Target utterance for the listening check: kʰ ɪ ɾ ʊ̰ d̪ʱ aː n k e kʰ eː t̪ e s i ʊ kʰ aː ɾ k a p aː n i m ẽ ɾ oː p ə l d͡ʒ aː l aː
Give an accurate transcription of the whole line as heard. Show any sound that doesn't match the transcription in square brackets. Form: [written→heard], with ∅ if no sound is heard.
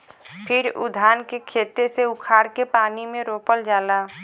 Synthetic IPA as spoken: [kʰ→pʰ] ɪ ɾ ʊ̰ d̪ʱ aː n k e kʰ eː t̪ e s [i→e] ʊ kʰ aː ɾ k [a→e] p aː n i m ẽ ɾ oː p ə l d͡ʒ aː l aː